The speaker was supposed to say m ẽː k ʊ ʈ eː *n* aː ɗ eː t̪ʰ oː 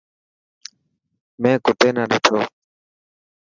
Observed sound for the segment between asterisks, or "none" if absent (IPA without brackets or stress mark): n